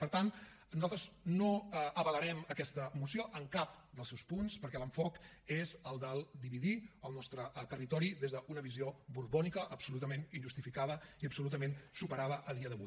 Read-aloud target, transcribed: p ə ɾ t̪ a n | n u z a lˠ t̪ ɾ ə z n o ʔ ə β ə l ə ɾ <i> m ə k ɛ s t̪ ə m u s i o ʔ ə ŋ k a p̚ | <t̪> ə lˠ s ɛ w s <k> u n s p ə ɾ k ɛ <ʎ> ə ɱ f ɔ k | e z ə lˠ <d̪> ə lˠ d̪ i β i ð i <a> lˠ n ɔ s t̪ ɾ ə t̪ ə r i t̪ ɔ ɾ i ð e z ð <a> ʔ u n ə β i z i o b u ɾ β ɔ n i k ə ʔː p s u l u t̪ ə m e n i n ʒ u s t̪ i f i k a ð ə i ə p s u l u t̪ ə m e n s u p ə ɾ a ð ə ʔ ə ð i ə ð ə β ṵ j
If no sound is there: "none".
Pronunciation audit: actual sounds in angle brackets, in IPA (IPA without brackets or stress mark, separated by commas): ɛ, d̪, p, l, d̪, ə, ə